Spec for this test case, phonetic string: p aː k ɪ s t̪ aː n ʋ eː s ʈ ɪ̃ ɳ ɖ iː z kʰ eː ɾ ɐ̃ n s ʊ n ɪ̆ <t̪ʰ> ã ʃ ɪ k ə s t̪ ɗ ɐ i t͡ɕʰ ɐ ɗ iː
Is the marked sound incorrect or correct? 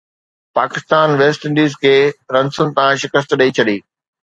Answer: incorrect